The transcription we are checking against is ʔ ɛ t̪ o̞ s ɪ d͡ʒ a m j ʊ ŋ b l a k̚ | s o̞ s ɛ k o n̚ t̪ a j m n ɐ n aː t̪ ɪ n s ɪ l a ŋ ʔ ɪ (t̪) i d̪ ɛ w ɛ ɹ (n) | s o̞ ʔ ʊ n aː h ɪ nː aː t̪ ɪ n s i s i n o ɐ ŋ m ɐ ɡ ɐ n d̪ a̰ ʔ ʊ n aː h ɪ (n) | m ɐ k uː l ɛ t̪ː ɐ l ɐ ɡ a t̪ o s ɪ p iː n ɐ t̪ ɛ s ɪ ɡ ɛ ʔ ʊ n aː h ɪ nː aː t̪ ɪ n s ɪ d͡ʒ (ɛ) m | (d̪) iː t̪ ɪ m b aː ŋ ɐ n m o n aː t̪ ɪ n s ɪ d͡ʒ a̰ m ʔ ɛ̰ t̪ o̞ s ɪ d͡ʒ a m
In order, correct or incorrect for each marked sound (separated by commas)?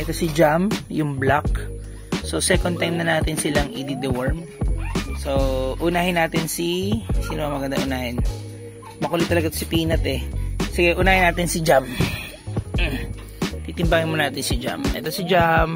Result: incorrect, incorrect, correct, incorrect, incorrect